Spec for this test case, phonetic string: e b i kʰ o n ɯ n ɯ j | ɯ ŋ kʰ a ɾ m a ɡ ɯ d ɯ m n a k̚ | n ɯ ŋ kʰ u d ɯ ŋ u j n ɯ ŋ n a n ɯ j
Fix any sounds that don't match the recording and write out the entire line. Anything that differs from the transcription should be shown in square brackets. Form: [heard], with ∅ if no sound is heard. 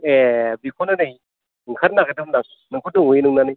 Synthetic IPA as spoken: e b i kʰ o n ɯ n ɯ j | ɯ ŋ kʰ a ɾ [n] a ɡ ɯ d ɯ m n a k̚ | n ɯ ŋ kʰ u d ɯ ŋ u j n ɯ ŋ n a n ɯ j